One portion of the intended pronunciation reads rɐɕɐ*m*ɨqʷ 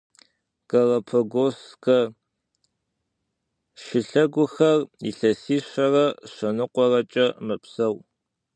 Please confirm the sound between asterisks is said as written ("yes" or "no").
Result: no